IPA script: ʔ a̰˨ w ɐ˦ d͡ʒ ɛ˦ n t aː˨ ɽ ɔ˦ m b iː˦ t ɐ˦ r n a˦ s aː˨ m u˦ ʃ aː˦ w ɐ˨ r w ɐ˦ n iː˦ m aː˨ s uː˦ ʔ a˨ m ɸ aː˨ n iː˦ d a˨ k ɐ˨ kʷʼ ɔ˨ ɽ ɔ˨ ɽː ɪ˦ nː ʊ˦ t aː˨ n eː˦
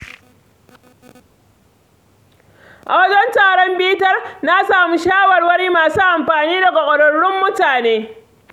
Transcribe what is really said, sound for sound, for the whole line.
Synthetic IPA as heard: ʔ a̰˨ w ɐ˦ d͡ʒ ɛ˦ n t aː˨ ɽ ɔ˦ m b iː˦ t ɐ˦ r n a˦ s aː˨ m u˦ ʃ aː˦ w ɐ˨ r w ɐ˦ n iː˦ m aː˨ s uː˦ ʔ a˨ m ɸ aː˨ n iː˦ d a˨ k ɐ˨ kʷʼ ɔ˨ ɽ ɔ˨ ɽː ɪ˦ mː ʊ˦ t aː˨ n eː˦